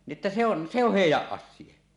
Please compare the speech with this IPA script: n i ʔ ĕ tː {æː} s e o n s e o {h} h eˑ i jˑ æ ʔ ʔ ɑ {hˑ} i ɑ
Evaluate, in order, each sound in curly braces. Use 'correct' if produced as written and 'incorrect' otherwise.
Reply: incorrect: æ, correct, incorrect: sˑ

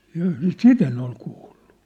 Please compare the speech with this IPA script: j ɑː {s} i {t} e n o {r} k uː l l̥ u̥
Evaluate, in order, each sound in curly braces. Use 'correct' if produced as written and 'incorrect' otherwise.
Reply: correct, correct, incorrect: l

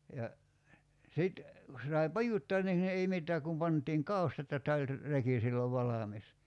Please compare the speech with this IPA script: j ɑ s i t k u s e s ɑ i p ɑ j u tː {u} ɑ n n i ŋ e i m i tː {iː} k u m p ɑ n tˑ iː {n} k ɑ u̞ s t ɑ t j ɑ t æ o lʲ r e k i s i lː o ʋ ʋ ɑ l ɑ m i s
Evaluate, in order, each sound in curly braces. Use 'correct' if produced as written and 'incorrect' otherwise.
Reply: incorrect: o, incorrect: æː, incorrect: ŋ

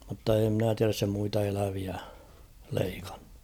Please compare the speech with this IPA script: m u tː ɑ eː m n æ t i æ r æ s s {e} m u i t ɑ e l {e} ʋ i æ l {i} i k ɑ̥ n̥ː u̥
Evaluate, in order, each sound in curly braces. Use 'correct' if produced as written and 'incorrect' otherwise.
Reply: correct, incorrect: æ, incorrect: e

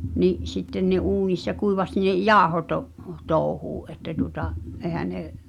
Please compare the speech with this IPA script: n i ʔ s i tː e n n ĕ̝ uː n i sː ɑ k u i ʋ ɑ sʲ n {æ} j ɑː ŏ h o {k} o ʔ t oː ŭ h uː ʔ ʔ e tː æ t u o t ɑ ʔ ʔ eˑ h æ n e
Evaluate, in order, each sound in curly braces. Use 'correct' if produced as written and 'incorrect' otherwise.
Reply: incorrect: e, incorrect: t

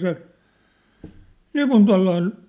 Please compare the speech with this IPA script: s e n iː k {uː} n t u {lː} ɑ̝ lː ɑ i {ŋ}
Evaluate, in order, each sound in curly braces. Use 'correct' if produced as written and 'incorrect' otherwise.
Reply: incorrect: u, incorrect: none, incorrect: n

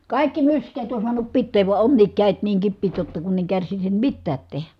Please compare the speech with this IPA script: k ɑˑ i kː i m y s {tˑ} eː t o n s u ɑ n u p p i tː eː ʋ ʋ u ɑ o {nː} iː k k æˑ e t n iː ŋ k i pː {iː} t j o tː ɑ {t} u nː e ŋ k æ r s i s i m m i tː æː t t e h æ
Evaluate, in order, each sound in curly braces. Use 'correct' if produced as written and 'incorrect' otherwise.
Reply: incorrect: kˑ, correct, correct, incorrect: k

